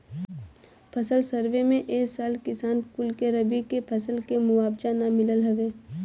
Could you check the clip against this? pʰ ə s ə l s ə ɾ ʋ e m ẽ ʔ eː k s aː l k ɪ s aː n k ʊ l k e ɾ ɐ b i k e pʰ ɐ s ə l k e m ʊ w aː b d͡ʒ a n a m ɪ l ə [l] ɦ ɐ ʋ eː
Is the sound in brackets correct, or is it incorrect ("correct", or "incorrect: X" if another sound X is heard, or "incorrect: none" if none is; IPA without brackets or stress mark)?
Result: correct